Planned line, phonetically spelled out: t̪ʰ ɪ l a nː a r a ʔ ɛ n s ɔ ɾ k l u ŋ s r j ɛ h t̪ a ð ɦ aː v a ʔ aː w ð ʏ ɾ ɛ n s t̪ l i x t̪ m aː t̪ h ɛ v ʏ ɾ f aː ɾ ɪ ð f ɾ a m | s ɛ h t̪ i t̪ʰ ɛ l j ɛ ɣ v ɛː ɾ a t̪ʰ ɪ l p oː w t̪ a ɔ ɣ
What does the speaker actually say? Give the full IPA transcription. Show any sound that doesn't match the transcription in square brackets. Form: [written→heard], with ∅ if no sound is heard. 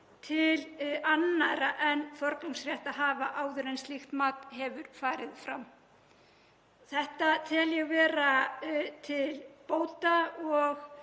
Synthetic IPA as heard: t̪ʰ ɪ l a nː a [r→ɾ] a ʔ ɛ n [s→f] ɔ ɾ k l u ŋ s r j ɛ h t̪ a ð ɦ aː v a ʔ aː w ð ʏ ɾ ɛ n s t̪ l i x t̪ m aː t̪ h ɛ v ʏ ɾ f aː ɾ ɪ ð f ɾ a m | [s→θ] ɛ h t̪ [i→a] t̪ʰ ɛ l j ɛ ɣ v ɛː ɾ a t̪ʰ ɪ l p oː w t̪ a ɔ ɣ